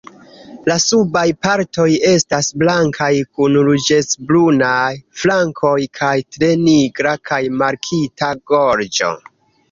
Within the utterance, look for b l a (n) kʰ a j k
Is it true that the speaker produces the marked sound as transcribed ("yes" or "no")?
no